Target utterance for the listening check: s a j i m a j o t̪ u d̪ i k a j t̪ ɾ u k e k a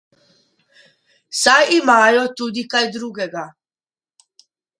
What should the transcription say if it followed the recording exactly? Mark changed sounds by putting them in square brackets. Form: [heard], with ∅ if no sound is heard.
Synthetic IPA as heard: s a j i m a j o t̪ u d̪ i k a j [d̪] ɾ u [ɡ] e [ɡ] a